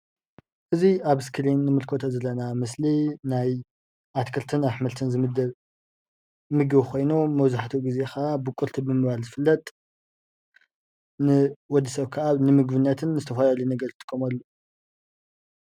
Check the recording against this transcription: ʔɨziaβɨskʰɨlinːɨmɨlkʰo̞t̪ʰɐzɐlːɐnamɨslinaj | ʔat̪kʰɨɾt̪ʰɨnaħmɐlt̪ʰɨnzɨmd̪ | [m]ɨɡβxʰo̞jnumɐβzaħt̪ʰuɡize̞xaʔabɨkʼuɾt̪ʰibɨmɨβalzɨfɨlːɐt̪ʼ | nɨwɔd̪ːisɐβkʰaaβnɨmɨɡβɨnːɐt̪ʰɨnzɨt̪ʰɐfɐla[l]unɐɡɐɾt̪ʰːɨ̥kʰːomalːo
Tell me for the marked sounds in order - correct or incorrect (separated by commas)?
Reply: correct, correct